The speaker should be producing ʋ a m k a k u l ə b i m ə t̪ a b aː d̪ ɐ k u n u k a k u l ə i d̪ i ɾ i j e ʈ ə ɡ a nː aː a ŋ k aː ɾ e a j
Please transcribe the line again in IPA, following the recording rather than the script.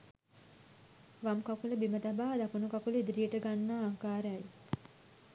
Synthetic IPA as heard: ʋ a m k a k u l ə b i m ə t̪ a b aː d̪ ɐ k u n u k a k u l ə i d̪ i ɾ i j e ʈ ə ɡ a nː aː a ŋ k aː ɾ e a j